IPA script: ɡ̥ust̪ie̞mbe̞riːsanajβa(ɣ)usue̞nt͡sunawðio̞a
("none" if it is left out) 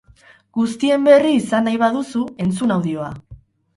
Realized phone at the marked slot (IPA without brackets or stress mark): ð